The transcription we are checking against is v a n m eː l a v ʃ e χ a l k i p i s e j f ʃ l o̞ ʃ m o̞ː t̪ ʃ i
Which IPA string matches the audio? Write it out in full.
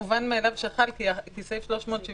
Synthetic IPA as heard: v a n m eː l a v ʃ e χ a l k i k i s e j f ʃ l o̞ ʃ m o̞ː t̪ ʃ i